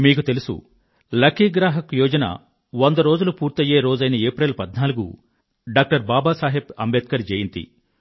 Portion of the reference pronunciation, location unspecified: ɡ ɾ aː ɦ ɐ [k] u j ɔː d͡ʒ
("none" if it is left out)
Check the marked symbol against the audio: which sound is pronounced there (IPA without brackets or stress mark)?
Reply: k